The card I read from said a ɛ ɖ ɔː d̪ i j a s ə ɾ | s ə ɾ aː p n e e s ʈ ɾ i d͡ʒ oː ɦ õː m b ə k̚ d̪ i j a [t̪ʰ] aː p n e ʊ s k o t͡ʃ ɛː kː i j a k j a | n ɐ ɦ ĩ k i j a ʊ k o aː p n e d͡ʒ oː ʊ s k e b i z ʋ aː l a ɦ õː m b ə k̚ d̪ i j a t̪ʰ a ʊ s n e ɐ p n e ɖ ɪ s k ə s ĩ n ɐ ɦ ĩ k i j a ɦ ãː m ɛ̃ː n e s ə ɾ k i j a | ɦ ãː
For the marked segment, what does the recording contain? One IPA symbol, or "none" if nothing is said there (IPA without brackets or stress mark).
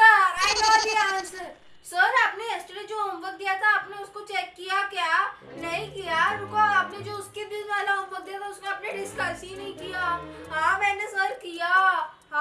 t̪ʰ